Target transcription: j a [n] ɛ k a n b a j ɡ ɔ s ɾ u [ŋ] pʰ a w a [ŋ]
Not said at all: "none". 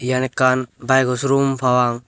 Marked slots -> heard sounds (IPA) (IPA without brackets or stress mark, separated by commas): n, m, ŋ